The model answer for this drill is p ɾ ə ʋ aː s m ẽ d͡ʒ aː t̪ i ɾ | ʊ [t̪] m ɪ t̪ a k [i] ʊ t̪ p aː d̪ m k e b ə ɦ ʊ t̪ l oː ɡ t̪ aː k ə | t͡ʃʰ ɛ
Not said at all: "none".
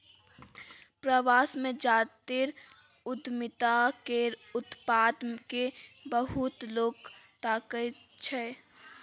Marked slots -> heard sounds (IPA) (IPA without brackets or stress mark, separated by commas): d̪, e